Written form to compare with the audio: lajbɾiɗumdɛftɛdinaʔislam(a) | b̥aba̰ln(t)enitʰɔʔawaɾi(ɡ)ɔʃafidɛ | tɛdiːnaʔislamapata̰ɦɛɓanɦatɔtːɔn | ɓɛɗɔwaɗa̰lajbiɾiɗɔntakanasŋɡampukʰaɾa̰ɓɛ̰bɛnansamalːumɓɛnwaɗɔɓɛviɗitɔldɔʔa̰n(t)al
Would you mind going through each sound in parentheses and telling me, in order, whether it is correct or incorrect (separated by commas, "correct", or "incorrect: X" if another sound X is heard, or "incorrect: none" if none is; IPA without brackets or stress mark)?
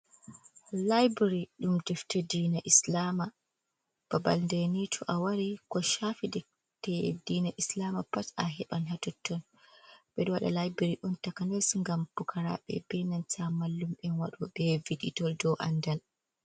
correct, incorrect: d, incorrect: k, incorrect: d